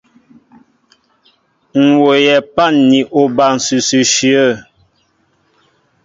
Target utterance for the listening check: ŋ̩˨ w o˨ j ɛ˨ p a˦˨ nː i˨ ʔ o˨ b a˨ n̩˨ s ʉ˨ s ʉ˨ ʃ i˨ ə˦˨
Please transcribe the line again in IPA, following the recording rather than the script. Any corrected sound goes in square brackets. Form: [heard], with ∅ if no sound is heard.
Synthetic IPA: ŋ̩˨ w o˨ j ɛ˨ p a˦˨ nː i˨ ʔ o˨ b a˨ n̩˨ s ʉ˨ s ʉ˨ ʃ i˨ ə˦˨